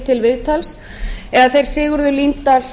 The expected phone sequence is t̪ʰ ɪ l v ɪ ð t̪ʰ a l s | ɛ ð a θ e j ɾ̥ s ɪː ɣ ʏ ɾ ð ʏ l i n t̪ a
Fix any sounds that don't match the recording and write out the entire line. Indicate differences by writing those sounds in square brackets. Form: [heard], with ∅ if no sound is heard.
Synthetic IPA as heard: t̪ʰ ɪ l v ɪ ð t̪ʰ a l s | ɛ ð a θ e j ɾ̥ s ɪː ɣ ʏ ɾ ð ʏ l i n t̪ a